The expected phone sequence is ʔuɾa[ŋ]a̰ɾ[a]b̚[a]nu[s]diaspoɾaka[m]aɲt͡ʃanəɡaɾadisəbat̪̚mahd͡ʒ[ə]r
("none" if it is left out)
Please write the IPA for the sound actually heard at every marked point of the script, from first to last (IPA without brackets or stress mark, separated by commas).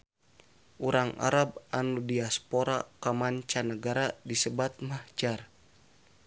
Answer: ŋ, a, a, none, m, a